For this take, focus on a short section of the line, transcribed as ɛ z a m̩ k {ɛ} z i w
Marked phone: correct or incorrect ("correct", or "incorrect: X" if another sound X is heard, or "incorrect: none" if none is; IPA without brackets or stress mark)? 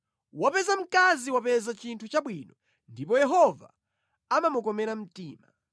incorrect: a